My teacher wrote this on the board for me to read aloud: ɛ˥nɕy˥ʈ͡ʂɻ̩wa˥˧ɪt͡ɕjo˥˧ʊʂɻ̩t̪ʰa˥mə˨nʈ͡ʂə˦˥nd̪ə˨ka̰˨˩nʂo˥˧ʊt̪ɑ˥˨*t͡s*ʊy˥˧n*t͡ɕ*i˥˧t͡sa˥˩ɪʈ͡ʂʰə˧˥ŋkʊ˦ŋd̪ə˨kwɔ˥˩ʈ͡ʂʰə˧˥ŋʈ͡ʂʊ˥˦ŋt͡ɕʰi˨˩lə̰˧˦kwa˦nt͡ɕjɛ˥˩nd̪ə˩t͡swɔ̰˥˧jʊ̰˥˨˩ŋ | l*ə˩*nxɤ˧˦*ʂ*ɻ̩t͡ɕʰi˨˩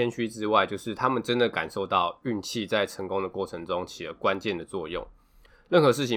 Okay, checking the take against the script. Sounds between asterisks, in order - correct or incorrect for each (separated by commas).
incorrect, incorrect, incorrect, correct